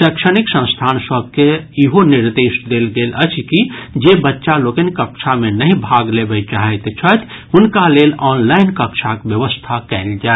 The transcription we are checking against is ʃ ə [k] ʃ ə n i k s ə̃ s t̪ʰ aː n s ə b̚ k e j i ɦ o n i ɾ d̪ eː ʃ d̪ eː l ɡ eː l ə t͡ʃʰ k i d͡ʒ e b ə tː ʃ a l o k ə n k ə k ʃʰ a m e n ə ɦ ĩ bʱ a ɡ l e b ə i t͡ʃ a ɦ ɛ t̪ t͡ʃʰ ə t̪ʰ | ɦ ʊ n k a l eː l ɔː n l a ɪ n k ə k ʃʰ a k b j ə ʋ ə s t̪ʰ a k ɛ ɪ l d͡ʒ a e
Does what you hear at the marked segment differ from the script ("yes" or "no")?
no